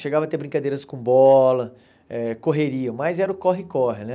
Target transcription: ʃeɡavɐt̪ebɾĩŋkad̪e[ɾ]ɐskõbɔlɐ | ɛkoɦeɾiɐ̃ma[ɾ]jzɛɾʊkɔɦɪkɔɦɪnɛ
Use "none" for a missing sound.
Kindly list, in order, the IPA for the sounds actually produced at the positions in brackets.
ɾ, none

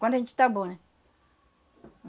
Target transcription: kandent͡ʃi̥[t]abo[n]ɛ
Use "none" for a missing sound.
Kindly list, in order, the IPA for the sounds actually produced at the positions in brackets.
t, n

